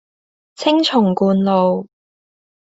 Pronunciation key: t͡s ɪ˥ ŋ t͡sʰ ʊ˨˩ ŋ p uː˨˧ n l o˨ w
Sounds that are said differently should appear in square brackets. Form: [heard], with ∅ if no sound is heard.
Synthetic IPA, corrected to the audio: [t͡sʰ] ɪ˥ ŋ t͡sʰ ʊ˨˩ ŋ [k] uː˨˧ n l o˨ w